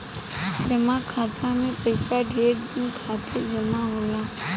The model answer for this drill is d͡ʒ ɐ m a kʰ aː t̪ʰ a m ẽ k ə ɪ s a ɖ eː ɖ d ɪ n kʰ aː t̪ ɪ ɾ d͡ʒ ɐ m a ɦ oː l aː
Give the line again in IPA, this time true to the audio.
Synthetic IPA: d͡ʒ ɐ m a kʰ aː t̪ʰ a m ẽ p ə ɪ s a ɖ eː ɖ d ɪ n kʰ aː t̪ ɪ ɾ d͡ʒ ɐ m a ɦ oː l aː